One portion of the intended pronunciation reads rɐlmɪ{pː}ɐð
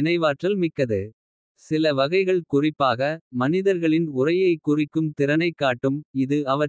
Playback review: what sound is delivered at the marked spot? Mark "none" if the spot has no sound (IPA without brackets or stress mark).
kː